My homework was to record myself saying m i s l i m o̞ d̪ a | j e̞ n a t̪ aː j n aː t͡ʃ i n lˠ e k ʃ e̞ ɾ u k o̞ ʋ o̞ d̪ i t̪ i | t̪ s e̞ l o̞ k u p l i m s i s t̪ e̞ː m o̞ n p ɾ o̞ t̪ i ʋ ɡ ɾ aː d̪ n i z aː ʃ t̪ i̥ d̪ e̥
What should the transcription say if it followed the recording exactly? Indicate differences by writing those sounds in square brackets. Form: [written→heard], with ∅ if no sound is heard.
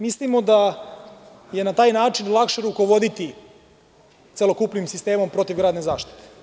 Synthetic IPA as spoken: m i s l i m o̞ d̪ a | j e̞ n a t̪ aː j n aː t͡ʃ i n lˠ [e→a] k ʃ e̞ ɾ u k o̞ ʋ o̞ d̪ i t̪ i | t̪ s e̞ l o̞ k u p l i m s i s t̪ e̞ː m o̞ [n→m] p ɾ o̞ t̪ i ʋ ɡ ɾ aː d̪ n [i→e] z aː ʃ t̪ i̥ [d̪→t̪] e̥